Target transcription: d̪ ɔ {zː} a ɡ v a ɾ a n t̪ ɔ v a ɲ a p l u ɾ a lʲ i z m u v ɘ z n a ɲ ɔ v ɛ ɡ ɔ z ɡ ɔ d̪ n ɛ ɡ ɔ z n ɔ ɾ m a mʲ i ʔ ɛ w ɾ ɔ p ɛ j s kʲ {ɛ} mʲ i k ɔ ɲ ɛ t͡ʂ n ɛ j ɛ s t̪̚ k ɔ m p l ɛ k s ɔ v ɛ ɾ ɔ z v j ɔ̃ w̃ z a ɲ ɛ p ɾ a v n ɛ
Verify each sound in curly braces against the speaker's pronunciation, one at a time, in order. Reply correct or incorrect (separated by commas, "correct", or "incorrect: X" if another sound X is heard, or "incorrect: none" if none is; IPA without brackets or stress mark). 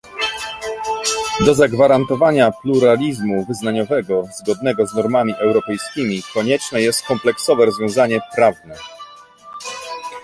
incorrect: z, incorrect: i